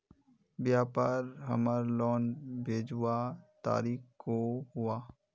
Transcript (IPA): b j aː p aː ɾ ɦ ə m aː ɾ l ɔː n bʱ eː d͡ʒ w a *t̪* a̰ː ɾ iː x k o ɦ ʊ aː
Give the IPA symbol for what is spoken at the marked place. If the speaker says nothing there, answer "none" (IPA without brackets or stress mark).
t̪